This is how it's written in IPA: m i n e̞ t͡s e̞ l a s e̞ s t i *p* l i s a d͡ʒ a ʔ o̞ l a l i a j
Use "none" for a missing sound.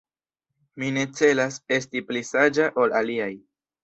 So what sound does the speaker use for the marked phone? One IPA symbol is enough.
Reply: p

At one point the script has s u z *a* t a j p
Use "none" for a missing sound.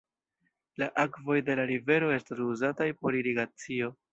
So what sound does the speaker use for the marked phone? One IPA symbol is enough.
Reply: a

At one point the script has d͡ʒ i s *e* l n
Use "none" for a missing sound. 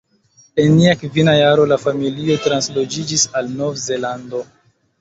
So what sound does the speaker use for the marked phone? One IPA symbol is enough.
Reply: a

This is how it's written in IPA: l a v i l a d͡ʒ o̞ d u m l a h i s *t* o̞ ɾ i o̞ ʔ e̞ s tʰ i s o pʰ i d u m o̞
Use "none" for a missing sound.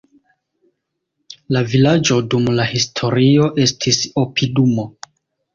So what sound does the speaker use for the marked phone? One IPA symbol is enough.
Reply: tʰ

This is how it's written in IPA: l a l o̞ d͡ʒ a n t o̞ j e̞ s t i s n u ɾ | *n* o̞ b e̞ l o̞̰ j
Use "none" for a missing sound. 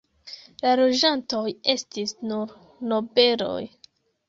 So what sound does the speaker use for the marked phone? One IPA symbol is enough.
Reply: n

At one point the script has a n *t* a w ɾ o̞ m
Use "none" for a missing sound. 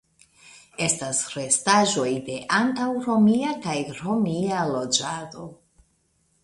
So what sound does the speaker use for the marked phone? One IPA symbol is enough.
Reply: t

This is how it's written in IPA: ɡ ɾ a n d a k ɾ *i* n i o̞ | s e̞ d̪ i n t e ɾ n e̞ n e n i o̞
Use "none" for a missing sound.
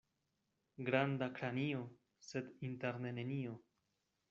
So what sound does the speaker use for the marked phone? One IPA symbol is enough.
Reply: a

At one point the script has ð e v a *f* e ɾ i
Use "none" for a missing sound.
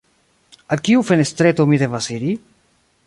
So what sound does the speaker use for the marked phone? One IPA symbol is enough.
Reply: s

